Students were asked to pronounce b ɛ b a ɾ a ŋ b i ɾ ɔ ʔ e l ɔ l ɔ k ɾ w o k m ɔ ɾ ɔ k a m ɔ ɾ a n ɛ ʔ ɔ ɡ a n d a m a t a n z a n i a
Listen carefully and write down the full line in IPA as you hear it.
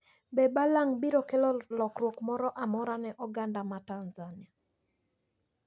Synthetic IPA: b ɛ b a l a ŋ b i ɾ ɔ k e l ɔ l ɔ k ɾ w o k m ɔ ɾ ɔ ʔ a m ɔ ɾ a n ɛ ʔ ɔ ɡ a n d a m a t a n z a n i a